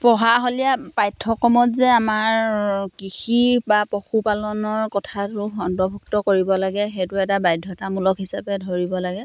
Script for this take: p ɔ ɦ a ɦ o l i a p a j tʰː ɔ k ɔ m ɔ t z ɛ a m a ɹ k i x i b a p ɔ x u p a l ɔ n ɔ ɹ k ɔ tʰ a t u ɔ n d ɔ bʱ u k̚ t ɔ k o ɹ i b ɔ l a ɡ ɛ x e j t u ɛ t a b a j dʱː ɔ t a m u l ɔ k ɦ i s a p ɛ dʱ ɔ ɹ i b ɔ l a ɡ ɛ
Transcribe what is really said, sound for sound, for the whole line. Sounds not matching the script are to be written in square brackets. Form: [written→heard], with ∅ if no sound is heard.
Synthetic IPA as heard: p ɔ ɦ a ɦ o l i a p a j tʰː ɔ k ɔ m ɔ t z ɛ a m a ɹ k i x i b a p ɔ x u p a l ɔ n ɔ ɹ k ɔ tʰ a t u ɔ n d ɔ bʱ u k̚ t ɔ k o ɹ i b ɔ l a ɡ ɛ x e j t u ɛ t a b a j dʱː ɔ t a m u l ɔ k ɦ i s a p ɛ dʱ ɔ ɹ i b ɔ l a ɡ ɛ